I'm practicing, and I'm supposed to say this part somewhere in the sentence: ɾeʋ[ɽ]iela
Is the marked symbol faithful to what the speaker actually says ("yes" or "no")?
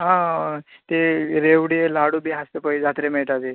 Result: yes